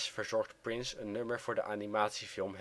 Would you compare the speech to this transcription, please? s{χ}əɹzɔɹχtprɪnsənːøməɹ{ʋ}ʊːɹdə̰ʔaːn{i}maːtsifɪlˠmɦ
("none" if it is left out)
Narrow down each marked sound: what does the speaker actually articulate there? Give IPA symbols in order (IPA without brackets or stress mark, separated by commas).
f, v, i